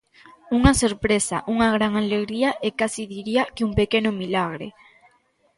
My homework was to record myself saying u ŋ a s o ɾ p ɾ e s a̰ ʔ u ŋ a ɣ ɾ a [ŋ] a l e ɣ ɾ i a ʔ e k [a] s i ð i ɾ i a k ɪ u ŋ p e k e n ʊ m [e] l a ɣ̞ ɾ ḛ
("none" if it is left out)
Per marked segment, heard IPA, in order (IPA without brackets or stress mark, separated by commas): ŋ, a, i